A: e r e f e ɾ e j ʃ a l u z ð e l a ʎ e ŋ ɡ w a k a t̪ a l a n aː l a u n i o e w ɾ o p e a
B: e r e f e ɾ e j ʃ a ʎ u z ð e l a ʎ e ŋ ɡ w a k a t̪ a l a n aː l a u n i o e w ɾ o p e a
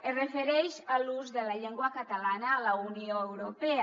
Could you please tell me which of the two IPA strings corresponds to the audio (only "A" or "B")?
A